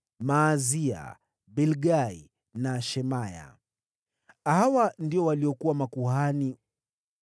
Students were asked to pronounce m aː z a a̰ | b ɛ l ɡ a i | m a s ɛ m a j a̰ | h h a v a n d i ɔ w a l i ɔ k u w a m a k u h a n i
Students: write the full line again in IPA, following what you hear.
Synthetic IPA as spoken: m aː z i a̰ | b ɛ l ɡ a i | n a ʃ ɛ m a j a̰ | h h a w a n d i ɔ w a l i ɔ k u w a m a k u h a n i

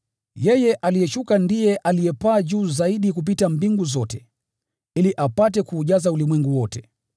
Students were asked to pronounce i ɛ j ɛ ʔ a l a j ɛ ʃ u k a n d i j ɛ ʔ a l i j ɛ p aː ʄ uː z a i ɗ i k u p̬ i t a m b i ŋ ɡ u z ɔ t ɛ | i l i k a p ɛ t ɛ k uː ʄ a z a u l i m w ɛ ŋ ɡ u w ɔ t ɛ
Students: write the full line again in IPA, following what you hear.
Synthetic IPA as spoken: j ɛ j ɛ ʔ a l i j ɛ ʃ u k a n d i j ɛ ʔ a l i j ɛ p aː ʄ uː z a i ɗ i k u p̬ i t a m b i ŋ ɡ u z ɔ t ɛ | i l i ʔ a p a t ɛ k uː ʄ a z a u l i m w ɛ ŋ ɡ u w ɔ t ɛ

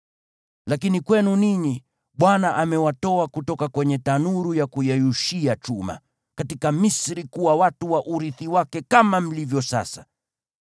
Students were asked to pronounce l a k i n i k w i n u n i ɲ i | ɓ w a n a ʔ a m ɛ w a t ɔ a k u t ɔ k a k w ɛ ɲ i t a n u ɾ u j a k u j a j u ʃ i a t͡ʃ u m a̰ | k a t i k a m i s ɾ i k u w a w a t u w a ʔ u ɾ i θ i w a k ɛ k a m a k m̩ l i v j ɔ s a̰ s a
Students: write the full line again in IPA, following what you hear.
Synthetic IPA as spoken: l a k i n i k w ɛ n u n i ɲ i | ɓ w a n a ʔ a m ɛ w a t ɔ a k u t ɔ k a k w ɛ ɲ ɛ t a n u ɾ u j a k u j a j u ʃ i a t͡ʃ u m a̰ | k a t i k a m i s ɾ i k u w a w a t u w a ʔ u ɾ i θ i w a k ɛ k a m a m̩ l i v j ɔ s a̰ s a

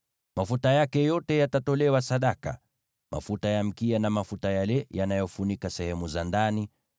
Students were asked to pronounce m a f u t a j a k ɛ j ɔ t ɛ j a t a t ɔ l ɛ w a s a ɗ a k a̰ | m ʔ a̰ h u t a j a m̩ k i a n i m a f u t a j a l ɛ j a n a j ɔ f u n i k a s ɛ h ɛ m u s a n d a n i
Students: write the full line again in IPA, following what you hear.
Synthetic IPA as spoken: m a f u t a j a k ɛ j ɔ t ɛ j a t a t ɔ l ɛ w a s a ɗ a k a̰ | m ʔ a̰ f u t a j a m̩ k i a n a m a f u t a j a l ɛ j a n a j ɔ f u n i k a s ɛ h ɛ m u z a n d a n i

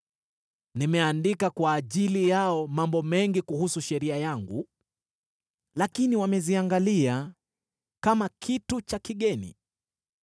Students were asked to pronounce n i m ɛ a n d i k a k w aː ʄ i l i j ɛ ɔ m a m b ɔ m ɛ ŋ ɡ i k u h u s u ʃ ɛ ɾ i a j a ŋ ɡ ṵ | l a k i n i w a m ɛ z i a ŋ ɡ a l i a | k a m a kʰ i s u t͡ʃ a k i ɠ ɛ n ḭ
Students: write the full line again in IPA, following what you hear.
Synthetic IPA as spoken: n i m ɛ a n d i k a k w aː ʄ i l i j a ɔ m a m b ɔ m ɛ ŋ ɡ i k u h u s u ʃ ɛ ɾ i a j a ŋ ɡ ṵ | l a k i n i w a m ɛ z i a ŋ ɡ a l i a | k a m a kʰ i t u t͡ʃ a k i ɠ ɛ n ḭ

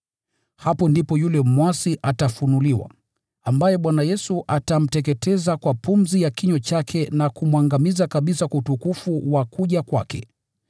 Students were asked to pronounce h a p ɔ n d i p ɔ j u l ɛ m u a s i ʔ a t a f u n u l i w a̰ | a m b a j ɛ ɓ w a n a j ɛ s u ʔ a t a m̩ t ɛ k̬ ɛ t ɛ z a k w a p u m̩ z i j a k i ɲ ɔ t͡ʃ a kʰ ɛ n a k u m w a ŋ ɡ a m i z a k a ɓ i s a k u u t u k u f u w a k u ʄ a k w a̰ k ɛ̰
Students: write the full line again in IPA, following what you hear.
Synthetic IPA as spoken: h a p ɔ n d i p ɔ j u l ɛ m w a s i ʔ a t a f u n u l i w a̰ | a m b a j ɛ ɓ w a n a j ɛ s u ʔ a t a m̩ t ɛ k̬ ɛ t ɛ z a k w a p u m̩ z i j a k i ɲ ɔ t͡ʃ a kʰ ɛ n a k u m w a ŋ ɡ a m i z a k a ɓ i s a k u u t u k u f u w a k u ʄ a k w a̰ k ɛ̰

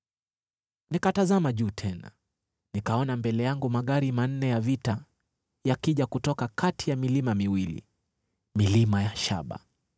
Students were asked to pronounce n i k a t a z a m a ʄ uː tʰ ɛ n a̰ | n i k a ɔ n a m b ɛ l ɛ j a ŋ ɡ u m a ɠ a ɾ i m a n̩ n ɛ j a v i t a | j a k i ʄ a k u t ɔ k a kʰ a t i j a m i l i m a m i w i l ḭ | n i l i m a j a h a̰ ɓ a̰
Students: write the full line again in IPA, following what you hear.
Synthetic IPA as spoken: n i k a t a z a m a ʄ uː tʰ ɛ n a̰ | n i k a ɔ n a m b ɛ l ɛ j a ŋ ɡ u m a ɠ a ɾ i m a n̩ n ɛ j a v i t a | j a k i ʄ a k u t ɔ k a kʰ a t i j a m i l i m a m i w i l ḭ | m i l i m a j a ʃ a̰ ɓ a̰

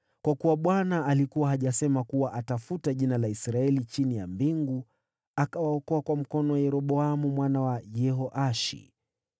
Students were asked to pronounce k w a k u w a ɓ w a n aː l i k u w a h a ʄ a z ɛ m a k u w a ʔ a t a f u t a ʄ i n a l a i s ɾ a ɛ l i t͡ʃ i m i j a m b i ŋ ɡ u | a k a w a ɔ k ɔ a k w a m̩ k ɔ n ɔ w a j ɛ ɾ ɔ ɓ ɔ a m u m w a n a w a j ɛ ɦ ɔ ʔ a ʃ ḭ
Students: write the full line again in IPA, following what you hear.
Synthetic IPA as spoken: k w a k u w a ɓ w a n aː l i k u w a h a ʄ a s ɛ m a k u w a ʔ a t a f u t a ʄ i n a l a i s ɾ a ɛ l i t͡ʃ i n i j a m b i ŋ ɡ u | a k a w a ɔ k ɔ a k w a m̩ k ɔ n ɔ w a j ɛ ɾ ɔ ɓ ɔ a m u m w a n a w a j ɛ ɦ ɔ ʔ a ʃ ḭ

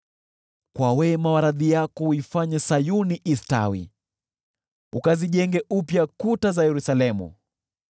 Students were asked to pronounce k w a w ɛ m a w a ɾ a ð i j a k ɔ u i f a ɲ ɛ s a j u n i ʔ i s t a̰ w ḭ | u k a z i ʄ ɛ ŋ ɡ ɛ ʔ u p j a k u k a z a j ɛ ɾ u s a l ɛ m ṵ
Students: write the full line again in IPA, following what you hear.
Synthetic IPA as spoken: k w a w ɛ m a w a ɾ a ð i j a k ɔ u i f a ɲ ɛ s a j u n i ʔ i s t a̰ w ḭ | u k a z i ʄ ɛ ŋ ɡ ɛ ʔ u p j a k u t a z a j ɛ ɾ u s a l ɛ m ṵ

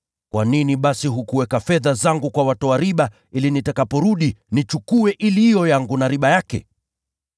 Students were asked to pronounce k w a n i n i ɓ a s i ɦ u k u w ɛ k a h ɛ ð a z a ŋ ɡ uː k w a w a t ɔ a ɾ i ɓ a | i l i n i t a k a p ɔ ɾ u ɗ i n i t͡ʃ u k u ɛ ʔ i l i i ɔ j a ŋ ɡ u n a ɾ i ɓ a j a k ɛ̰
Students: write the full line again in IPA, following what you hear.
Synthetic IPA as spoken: k w a n i n i ɓ a s i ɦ u k u w ɛ k a f ɛ ð a z a ŋ ɡ u k w a w a t ɔ a ɾ i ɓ a | i l i n i t a k a p ɔ ɾ u ɗ i n i t͡ʃ u k u ɛ ʔ i l i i ɔ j a ŋ ɡ u n a ɾ i ɓ a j a k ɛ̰

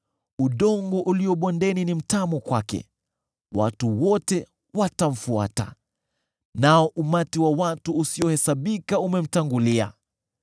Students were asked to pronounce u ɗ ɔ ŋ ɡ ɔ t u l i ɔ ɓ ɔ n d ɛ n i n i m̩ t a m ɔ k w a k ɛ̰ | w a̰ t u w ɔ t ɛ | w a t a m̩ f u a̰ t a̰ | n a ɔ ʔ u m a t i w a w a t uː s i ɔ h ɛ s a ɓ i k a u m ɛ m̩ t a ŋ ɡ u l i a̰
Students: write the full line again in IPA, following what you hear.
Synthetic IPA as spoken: u ɗ ɔ ŋ ɡ ɔ ʔ u l i ɔ ɓ ɔ n d ɛ n i n i m̩ t a m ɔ k w a k ɛ̰ | w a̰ t u w ɔ t ɛ | w a t a m̩ f u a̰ t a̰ | n a ɔ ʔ u m a t i w a w a t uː s i ɔ h ɛ s a ɓ i k a u m ɛ m̩ t a ŋ ɡ u l i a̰

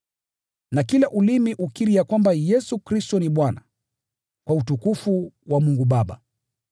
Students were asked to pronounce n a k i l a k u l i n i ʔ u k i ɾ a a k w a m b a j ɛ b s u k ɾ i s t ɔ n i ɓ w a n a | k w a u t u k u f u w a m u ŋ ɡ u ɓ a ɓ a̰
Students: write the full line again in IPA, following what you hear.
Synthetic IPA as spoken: n a k i l a ʔ u l i m i ʔ u k i ɾ i a k w a m b a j ɛ s u k ɾ i s t ɔ n i ɓ w a n a | k w a u t u k u f u w a m u ŋ ɡ u ɓ a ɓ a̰

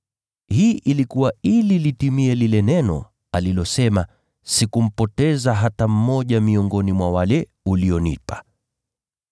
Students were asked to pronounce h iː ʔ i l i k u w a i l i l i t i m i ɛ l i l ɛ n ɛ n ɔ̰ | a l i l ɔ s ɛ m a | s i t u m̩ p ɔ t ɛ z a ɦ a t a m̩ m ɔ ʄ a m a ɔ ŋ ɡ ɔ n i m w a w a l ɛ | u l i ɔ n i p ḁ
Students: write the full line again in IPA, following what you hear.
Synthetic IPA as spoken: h iː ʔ i l i k u w a i l i l i t i m i ɛ l i l ɛ n ɛ n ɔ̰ | a l i l ɔ s ɛ m a | s i k u m̩ p ɔ t ɛ z a ɦ a t a m̩ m ɔ ʄ a m i ɔ ŋ ɡ ɔ n i m w a w a l ɛ | u l i ɔ n i p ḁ

